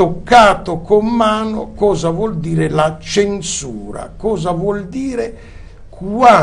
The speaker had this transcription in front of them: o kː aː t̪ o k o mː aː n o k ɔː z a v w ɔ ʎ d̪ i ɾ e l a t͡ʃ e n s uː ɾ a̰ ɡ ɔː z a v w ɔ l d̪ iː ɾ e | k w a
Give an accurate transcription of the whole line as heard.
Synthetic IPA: o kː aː t̪ o k o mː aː n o k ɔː z a v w ɔ l d̪ iː ɾ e l a t͡ʃ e n s uː ɾ a̰ k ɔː z a v w ɔ l d̪ iː ɾ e | k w a